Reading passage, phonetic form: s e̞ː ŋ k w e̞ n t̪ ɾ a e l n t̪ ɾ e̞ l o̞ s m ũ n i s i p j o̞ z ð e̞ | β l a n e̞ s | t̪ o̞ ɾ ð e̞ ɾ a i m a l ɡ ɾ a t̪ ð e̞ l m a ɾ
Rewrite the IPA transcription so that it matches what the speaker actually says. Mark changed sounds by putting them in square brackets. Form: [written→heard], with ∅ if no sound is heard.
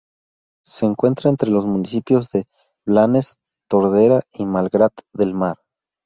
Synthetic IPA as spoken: s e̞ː ŋ k w e̞ n t̪ ɾ a e [l→∅] n t̪ ɾ e̞ l o̞ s m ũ n i s i p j o̞ z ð e̞ | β l a n e̞ s | t̪ o̞ ɾ ð e̞ ɾ a i m a l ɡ ɾ a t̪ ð e̞ l m a ɾ